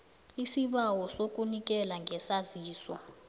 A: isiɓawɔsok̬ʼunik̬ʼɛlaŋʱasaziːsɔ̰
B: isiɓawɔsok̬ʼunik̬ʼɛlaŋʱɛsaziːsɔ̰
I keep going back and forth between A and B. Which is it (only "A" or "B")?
B